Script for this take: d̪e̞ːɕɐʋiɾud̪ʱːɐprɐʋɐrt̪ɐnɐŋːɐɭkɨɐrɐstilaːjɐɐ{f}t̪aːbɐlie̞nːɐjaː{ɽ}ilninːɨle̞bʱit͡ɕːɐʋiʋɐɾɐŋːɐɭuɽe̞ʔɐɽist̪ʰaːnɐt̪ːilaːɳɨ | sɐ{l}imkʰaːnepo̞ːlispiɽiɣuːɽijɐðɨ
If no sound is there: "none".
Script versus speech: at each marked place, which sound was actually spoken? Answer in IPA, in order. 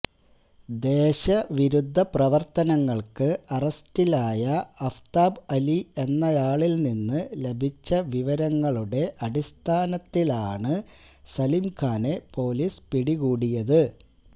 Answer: f, ɭ, l

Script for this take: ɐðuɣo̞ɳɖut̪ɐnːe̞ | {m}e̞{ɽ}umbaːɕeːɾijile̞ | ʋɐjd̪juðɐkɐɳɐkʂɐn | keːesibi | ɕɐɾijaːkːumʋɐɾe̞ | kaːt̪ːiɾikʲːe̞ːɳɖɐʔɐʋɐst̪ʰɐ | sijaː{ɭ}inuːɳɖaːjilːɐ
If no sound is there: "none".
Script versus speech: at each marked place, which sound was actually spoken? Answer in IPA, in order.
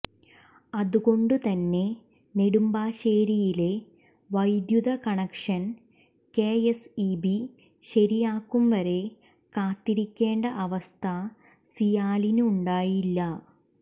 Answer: n, ɽ, l

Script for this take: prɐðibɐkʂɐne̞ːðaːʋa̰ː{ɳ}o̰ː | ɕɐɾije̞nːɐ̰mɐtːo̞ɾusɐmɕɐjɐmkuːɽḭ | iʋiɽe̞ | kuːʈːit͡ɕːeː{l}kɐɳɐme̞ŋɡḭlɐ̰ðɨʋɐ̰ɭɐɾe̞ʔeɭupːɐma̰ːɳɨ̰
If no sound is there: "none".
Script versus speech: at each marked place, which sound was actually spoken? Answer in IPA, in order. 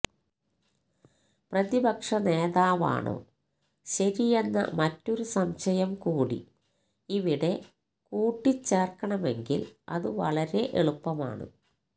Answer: ɳ, r

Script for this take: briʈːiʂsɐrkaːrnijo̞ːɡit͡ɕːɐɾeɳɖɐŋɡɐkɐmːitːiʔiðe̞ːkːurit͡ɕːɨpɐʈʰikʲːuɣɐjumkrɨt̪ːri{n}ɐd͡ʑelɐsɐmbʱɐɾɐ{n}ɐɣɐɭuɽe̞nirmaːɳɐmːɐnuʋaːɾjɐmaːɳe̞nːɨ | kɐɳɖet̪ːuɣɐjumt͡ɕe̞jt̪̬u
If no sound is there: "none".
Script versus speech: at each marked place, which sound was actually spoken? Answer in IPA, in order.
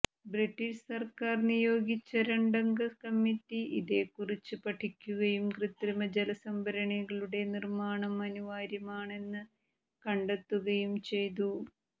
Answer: m, ɳ

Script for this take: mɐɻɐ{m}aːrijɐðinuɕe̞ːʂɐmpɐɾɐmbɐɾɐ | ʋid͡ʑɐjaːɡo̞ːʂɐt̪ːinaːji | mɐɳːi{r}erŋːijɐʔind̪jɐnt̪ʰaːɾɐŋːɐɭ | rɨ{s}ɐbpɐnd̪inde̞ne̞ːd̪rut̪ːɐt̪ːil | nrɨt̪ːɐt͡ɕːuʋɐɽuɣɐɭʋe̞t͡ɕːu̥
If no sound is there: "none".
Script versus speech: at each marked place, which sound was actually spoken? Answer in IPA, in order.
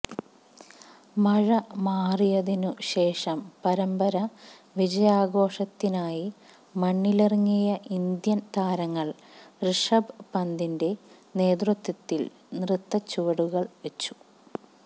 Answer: m, l, ʂ

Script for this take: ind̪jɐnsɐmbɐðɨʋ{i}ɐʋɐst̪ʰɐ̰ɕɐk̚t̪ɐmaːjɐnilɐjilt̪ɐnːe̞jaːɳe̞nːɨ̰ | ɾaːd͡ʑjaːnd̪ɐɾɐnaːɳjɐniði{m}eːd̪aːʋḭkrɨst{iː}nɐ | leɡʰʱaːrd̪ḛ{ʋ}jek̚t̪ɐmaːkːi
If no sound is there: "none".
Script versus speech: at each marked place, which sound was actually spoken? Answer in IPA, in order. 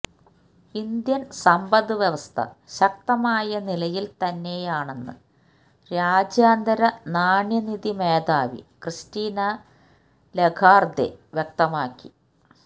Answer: j, m, iː, ʋ

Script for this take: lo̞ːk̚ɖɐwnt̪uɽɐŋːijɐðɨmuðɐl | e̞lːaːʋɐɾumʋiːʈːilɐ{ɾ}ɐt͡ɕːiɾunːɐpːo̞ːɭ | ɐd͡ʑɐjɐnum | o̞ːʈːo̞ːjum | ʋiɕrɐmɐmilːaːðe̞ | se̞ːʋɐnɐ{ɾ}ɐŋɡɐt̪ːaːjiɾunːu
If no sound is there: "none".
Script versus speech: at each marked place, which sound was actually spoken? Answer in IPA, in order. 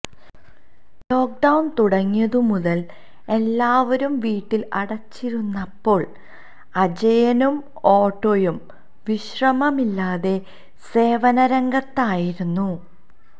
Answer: ɽ, ɾ

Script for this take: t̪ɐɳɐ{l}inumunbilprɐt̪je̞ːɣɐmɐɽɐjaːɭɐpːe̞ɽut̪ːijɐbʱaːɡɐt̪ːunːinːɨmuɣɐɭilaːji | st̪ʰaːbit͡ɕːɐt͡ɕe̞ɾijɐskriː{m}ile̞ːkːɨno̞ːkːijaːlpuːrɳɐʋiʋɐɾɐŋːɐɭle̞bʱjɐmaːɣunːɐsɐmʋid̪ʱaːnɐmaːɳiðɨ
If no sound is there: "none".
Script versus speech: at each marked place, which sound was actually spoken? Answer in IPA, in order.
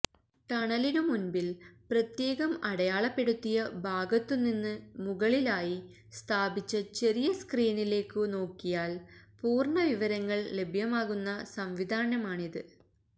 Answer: l, n

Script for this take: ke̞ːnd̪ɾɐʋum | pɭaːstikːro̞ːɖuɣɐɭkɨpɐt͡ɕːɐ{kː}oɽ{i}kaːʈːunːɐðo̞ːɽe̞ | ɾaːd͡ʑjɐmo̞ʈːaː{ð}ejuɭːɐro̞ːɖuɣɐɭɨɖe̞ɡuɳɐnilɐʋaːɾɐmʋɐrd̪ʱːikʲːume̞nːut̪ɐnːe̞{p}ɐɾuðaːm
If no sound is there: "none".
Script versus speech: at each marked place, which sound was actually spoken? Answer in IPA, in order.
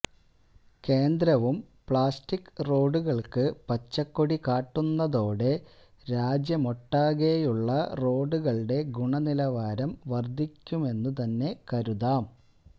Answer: kː, i, ɣ, k

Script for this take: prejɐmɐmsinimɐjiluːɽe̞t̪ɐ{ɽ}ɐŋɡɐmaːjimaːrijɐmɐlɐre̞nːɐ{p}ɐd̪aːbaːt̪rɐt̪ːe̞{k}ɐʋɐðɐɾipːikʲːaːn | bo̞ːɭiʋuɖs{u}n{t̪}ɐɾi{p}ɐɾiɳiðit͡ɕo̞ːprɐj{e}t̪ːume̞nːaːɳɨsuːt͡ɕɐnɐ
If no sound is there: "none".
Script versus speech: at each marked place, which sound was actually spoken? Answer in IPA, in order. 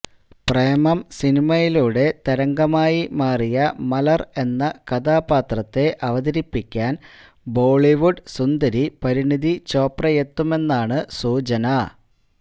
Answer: ɾ, k, ʔ, u, d̪, p, e

